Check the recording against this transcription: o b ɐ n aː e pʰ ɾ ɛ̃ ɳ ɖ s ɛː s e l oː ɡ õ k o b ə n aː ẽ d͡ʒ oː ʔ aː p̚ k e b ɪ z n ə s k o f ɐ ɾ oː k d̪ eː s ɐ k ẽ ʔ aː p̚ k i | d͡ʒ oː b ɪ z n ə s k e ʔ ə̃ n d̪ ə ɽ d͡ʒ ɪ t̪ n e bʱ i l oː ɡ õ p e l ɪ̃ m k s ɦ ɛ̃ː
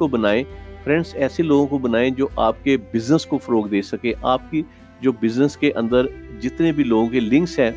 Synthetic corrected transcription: o b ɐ n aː e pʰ ɾ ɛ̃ ɳ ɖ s ɛː s e l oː ɡ õ k o b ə n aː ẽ d͡ʒ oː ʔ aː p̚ k e b ɪ z n ə s k o f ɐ ɾ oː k d̪ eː s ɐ k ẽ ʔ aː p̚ k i | d͡ʒ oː b ɪ z n ə s k e ʔ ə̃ n d̪ ə ɾ d͡ʒ ɪ t̪ n e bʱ i l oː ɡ õ k e l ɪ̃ ŋ k s ɦ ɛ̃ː